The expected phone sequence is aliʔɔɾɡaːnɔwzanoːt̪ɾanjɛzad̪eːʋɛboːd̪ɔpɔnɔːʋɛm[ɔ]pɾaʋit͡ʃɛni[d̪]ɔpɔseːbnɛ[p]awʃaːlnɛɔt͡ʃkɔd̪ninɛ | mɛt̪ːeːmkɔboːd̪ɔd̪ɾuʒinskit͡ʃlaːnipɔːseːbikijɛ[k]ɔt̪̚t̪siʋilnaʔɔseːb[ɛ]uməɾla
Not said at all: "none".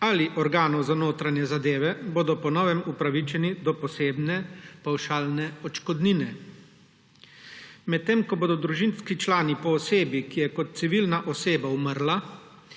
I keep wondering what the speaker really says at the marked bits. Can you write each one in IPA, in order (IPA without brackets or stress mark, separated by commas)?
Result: u, d̪, p, k, a